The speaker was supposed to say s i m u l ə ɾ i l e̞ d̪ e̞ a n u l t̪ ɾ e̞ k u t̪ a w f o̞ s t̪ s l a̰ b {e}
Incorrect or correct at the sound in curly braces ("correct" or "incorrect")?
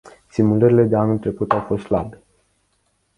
correct